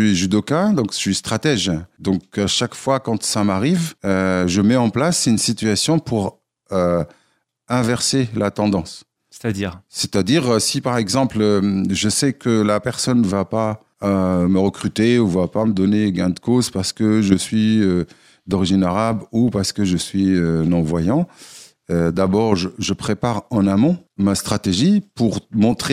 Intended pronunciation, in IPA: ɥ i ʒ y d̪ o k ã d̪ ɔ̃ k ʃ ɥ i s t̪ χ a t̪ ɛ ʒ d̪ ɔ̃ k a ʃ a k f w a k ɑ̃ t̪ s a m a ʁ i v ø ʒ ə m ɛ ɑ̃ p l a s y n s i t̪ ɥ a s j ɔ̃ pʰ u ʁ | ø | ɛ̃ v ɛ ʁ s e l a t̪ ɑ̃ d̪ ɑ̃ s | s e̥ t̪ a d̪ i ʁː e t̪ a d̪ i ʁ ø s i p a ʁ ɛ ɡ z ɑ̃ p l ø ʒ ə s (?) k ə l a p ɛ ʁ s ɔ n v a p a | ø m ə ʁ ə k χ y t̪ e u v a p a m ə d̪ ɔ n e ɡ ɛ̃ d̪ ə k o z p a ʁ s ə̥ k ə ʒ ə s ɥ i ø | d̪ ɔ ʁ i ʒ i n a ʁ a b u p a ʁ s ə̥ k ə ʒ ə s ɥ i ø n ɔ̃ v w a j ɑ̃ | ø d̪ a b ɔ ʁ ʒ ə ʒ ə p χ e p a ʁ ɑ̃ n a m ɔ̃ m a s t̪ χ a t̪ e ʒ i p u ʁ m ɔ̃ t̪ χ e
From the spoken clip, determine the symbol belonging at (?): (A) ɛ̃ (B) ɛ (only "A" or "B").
B